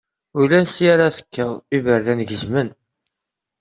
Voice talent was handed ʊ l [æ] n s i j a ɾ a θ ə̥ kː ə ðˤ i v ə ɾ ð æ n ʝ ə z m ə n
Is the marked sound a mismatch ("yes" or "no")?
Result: no